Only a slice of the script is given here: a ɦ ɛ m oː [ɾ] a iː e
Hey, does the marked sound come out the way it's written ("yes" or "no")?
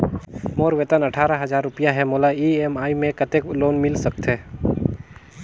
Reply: no